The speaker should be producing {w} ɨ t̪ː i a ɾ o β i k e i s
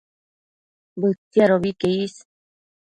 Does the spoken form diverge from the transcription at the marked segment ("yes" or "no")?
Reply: yes